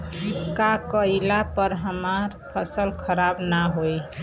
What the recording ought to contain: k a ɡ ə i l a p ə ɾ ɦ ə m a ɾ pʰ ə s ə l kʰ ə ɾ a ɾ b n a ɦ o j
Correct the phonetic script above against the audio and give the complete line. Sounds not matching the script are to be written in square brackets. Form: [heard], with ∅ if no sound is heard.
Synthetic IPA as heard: k a [k] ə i l a p ə ɾ ɦ ə m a ɾ pʰ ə s ə l kʰ ə ɾ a [∅] b n a ɦ o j